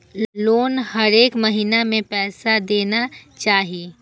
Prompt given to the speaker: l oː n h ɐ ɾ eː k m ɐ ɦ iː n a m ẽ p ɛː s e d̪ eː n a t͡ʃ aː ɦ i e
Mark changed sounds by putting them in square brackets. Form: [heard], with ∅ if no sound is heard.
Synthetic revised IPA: l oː n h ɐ ɾ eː k m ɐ ɦ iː n a m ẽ p ɛː s [a] d̪ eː n a t͡ʃ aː ɦ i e

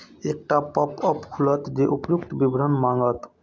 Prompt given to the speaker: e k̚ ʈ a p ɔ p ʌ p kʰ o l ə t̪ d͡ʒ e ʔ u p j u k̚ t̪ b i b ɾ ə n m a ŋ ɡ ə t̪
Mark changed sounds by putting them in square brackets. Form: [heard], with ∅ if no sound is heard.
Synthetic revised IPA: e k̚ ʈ a p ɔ p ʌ p kʰ [u] l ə t̪ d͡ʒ e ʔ u p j u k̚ t̪ b i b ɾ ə n m a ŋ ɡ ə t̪

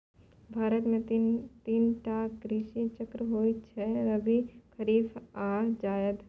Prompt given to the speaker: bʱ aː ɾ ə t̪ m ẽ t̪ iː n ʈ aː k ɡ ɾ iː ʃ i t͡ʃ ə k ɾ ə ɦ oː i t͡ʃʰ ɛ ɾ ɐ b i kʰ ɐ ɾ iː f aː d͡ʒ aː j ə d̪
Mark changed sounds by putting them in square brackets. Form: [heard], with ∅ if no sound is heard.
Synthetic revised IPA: bʱ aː ɾ ə t̪ m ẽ t̪ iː n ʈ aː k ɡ ɾ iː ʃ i t͡ʃ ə k ɾ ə ɦ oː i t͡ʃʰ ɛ ɾ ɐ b i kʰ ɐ ɾ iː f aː d͡ʒ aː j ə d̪

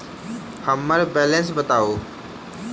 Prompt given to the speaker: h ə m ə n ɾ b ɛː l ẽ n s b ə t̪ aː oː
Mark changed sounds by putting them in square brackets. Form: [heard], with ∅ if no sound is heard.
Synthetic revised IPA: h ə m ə [∅] ɾ b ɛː l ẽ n s b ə t̪ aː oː

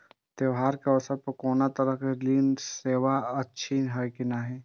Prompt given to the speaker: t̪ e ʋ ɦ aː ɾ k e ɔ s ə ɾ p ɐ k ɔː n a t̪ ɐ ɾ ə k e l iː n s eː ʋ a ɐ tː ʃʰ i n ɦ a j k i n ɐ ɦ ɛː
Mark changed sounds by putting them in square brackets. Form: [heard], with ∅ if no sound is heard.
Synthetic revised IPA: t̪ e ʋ ɦ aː ɾ k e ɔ s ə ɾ p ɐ k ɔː n a t̪ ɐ ɾ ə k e l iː n s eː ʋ a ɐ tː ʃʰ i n ɦ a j k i n [a] ɦ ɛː

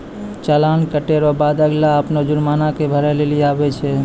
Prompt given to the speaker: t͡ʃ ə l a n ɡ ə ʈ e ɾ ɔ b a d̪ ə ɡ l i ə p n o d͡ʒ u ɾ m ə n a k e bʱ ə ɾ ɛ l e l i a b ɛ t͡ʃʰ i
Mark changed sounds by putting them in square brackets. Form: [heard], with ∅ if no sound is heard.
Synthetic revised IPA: t͡ʃ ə l a n [k] ə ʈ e ɾ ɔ b a d̪ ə ɡ l [a] ə p n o d͡ʒ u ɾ m [a] n a k e bʱ ə ɾ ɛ l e l i a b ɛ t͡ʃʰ [ɛ]

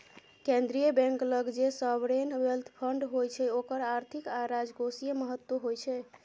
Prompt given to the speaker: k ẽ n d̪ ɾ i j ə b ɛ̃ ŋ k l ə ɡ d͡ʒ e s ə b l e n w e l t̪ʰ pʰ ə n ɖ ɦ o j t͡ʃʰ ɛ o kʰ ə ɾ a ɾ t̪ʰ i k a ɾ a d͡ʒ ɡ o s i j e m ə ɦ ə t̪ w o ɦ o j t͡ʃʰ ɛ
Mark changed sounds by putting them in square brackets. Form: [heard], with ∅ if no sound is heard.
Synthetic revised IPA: k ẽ n d̪ ɾ i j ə b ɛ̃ ŋ k l ə ɡ d͡ʒ e s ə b [ɾ] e n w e l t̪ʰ pʰ ə [ɳ] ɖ ɦ o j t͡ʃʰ ɛ o [k] ə ɾ a ɾ t̪ʰ i k a ɾ a d͡ʒ ɡ o s i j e m ə ɦ ə t̪ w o ɦ o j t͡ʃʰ ɛ

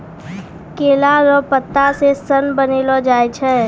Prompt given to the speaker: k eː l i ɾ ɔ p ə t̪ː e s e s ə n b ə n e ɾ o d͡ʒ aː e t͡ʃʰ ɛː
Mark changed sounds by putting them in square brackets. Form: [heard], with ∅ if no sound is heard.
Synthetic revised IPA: k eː l [a] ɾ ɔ p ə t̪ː [a] s e s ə n b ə n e [l] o d͡ʒ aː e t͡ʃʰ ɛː

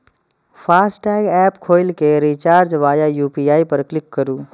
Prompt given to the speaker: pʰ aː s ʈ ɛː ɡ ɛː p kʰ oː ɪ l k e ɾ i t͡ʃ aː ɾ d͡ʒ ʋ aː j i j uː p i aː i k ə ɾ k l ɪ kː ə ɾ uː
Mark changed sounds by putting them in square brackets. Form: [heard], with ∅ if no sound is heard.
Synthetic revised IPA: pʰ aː s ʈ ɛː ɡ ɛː p kʰ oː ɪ l k e ɾ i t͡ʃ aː ɾ d͡ʒ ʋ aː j [a] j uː p i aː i [p] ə ɾ k l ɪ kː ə ɾ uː

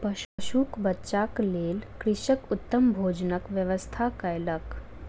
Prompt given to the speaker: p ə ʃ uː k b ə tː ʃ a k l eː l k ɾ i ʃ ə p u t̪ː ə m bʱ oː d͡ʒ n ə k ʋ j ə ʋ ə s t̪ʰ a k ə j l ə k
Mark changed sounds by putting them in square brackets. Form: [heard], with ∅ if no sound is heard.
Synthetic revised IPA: p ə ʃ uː k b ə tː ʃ a k l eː l k ɾ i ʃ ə [k] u t̪ː ə m bʱ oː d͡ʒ n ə k ʋ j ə ʋ ə s t̪ʰ a k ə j l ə k

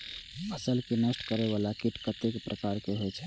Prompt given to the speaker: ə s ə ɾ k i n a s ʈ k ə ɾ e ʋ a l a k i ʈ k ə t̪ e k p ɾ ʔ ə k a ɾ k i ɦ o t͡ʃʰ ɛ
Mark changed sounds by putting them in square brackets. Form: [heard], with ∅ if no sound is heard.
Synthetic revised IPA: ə s ə [l] k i n [ə] s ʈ k ə ɾ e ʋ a l a k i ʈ k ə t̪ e k p ɾ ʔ ə k a ɾ k [e] ɦ o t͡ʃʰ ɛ

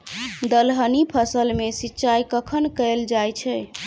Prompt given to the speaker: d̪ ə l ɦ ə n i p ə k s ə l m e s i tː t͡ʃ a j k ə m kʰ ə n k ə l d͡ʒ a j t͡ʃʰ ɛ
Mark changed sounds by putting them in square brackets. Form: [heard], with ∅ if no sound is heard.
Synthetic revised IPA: d̪ ə l ɦ ə n i [pʰ] ə [∅] s ə l m e s i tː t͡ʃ a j k ə [∅] kʰ ə n k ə l d͡ʒ a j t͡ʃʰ ɛ

